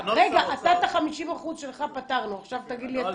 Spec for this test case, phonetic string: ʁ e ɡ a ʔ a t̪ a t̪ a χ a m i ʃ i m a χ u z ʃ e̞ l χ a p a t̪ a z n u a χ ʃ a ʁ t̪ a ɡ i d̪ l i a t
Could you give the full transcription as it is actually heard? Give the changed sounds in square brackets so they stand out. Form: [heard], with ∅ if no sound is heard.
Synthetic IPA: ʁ e ɡ a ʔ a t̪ a t̪ a χ a m i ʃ i m a χ u z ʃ e̞ l χ a p a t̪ a [ʁ] n u a χ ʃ a [v] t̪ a ɡ i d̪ l i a t